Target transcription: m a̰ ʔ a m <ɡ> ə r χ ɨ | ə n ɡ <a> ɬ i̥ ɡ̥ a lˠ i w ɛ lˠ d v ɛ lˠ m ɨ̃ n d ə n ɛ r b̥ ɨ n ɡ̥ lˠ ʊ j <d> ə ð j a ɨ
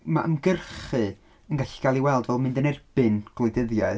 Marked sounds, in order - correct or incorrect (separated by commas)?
correct, correct, correct